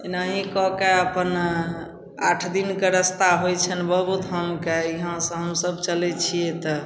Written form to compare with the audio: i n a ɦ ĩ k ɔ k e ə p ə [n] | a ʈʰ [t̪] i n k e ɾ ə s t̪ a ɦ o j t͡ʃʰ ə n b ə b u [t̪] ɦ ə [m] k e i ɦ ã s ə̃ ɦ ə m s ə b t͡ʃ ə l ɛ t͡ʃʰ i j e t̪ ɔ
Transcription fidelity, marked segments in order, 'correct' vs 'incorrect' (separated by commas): correct, incorrect, correct, correct